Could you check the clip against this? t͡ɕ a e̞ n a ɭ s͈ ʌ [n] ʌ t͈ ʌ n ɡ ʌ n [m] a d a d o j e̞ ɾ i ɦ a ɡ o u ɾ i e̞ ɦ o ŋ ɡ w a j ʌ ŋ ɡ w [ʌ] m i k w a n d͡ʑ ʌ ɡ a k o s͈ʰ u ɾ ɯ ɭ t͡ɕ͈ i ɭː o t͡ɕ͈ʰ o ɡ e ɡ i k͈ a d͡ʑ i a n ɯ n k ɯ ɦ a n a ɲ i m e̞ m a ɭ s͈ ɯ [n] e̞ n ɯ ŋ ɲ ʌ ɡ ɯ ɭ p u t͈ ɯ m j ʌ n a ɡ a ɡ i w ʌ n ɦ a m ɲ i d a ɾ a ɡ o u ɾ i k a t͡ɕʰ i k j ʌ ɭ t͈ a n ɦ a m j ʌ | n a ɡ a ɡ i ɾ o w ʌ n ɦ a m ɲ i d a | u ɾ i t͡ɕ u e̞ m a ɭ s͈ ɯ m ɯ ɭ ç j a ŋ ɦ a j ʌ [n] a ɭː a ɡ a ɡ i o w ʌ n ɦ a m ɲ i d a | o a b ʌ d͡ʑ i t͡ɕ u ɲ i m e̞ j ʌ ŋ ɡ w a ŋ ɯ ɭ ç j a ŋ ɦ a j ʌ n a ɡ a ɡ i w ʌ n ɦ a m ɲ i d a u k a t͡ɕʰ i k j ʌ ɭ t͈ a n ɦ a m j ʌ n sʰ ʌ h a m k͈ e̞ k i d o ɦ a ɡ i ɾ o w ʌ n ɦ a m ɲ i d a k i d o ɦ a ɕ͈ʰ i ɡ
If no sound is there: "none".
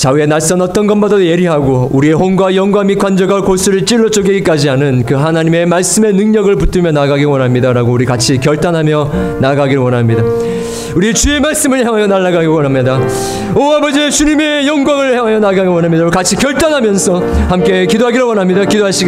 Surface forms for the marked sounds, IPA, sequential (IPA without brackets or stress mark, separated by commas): n, b, a, m, n